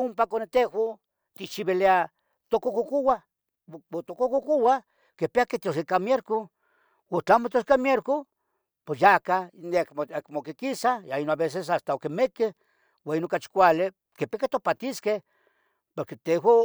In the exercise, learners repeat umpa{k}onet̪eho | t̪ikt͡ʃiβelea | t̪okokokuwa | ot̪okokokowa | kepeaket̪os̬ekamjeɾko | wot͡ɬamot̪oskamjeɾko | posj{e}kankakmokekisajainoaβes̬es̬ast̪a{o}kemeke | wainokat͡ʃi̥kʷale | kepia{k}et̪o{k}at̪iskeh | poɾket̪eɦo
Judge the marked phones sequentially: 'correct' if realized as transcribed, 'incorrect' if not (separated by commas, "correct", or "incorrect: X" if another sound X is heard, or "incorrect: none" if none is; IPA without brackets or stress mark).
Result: correct, incorrect: a, correct, correct, incorrect: p